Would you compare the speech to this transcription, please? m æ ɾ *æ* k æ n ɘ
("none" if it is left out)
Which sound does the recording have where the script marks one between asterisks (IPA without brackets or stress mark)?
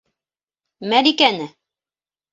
i